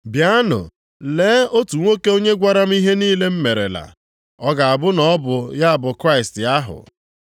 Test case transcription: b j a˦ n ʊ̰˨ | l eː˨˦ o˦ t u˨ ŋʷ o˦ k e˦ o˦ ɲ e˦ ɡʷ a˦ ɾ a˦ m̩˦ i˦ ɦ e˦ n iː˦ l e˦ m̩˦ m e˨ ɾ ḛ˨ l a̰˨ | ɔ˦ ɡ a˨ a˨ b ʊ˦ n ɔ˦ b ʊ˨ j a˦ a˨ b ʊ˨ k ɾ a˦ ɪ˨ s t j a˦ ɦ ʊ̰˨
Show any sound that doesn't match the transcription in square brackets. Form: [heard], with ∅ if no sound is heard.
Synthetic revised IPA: b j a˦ n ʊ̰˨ | l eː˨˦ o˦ t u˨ ŋʷ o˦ k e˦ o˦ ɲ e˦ ɡʷ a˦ ɾ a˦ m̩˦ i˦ ɦ e˦ n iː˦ l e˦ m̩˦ m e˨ ɾ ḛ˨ l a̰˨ | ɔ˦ ɡ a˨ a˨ b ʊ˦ n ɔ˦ b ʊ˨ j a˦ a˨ b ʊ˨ k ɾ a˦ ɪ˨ s t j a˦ ɦ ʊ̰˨

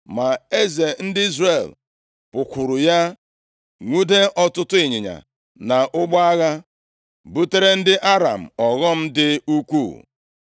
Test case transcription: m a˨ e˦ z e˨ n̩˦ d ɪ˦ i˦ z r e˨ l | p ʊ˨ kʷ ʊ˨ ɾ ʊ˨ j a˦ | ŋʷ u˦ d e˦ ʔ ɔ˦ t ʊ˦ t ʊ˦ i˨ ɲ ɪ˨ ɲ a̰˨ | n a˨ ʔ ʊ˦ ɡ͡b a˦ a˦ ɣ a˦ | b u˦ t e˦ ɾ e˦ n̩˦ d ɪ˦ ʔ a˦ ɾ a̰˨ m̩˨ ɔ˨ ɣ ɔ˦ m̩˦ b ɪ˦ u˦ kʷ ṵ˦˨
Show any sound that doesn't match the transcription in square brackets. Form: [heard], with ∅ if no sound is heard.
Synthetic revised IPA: m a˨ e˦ z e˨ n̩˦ d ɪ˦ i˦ z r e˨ l | p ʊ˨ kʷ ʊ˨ ɾ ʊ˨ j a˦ | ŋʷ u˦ d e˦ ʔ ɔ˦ t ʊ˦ t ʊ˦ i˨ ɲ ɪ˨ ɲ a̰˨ | n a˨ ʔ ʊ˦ ɡ͡b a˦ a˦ ɣ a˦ | b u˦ t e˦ ɾ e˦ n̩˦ d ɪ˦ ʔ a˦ ɾ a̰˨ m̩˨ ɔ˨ ɣ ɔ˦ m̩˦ [d] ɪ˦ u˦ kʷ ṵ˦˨

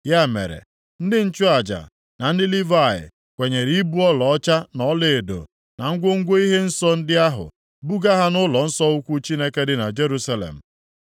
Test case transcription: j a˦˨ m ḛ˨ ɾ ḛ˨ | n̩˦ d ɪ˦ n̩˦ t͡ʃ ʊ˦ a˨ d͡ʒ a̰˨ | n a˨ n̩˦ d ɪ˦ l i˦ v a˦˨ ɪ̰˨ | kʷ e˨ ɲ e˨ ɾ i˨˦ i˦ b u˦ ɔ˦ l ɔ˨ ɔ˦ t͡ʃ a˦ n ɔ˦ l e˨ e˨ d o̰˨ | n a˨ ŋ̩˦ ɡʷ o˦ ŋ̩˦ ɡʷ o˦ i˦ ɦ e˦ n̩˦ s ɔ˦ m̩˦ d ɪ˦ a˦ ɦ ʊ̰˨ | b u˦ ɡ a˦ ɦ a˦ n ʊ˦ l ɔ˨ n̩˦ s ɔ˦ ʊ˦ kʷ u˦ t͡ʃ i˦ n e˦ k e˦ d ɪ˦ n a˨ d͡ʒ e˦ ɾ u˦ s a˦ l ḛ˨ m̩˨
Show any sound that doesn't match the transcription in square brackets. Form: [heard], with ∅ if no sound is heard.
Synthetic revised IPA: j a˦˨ m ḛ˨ ɾ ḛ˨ | n̩˦ d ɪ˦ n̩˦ t͡ʃ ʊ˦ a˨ d͡ʒ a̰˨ | n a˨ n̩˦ d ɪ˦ l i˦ v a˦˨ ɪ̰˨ | kʷ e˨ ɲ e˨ ɾ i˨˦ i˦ b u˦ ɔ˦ l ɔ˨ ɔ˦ t͡ʃ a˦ n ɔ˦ l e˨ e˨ d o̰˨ | n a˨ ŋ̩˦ ɡʷ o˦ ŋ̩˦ ɡʷ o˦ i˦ ɦ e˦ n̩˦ s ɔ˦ [n̩˦] d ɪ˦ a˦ ɦ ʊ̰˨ | b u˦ ɡ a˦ ɦ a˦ n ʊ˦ l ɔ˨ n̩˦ s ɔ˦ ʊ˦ kʷ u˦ t͡ʃ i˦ n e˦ k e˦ d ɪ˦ n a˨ d͡ʒ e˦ ɾ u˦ s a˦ l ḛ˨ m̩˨

